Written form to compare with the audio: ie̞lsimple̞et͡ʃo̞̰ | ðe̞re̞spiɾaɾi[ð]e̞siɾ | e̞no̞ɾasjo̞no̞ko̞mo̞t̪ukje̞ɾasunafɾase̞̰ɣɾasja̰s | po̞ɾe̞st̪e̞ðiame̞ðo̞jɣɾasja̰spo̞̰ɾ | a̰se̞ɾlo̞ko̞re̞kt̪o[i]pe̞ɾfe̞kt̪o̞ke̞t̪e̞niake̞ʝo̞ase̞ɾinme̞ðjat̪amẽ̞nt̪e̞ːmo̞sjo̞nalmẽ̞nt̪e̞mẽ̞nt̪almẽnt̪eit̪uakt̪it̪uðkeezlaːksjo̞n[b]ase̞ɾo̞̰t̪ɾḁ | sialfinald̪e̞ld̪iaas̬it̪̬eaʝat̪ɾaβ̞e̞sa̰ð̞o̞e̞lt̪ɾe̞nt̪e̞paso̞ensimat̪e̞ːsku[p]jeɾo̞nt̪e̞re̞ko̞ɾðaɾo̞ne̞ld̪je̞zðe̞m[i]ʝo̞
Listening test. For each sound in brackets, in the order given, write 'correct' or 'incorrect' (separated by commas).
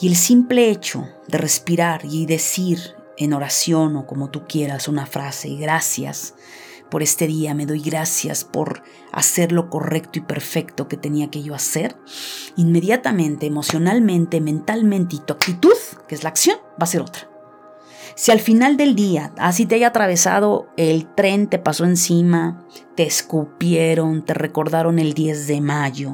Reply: correct, correct, correct, correct, incorrect